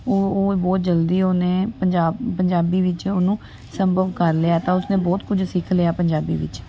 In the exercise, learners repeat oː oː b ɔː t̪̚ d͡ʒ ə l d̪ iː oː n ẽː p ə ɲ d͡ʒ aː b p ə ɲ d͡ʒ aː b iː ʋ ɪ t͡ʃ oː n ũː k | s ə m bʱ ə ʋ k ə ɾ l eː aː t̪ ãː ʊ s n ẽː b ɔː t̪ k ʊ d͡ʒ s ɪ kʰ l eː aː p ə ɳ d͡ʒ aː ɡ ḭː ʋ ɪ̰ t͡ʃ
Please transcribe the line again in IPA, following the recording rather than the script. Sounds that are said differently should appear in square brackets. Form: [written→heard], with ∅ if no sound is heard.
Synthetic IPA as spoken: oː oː b ɔː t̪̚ d͡ʒ ə l d̪ iː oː n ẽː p ə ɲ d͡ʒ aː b p ə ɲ d͡ʒ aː b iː ʋ ɪ t͡ʃ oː n ũː [k→∅] | s ə m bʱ ə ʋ k ə ɾ l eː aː t̪ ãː ʊ s n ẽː b ɔː t̪ k ʊ d͡ʒ s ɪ kʰ l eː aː p ə [ɳ→ɲ] d͡ʒ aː [ɡ→b] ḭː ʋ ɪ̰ t͡ʃ